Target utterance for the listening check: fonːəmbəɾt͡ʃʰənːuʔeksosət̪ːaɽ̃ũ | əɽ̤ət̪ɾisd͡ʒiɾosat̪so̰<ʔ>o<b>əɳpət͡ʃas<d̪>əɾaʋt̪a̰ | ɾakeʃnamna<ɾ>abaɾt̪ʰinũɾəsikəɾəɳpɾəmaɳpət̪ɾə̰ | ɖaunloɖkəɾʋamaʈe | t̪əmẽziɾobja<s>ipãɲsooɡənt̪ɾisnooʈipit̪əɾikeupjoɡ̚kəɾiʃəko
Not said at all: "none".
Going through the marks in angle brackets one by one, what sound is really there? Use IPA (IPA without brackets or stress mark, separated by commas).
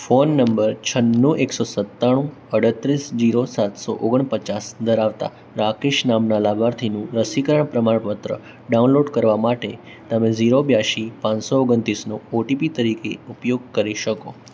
ʔ, ɡ, d̪, l, ʃ